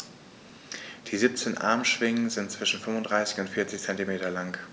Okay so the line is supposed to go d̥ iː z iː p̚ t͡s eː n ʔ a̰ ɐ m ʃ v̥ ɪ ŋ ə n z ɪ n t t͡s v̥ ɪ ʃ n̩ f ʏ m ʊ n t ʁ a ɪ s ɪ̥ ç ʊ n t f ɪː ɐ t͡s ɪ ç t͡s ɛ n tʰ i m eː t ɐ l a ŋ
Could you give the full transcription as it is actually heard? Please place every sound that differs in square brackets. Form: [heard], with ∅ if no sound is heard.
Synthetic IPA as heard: d̥ iː z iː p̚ t͡s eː n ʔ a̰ ɐ m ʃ v̥ ɪ ŋ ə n z ɪ n t t͡s v̥ ɪ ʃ n̩ f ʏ m ʊ n [d] ʁ a ɪ s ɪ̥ ç ʊ n t f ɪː ɐ t͡s ɪ ç t͡s ɛ n [t] i m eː t ɐ l a ŋ